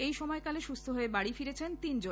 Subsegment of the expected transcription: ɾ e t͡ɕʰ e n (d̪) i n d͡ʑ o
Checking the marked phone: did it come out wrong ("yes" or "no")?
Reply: yes